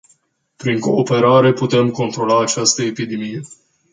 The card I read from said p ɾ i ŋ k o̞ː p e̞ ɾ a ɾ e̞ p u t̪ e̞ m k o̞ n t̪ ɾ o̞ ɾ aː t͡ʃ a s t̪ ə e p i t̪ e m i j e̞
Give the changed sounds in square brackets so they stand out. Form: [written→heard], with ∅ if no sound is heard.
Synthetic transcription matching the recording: p ɾ i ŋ k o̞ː p e̞ ɾ a ɾ e̞ p u t̪ e̞ m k o̞ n t̪ ɾ o̞ [ɾ→l] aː t͡ʃ a s t̪ ə e p i [t̪→d̪] e m i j e̞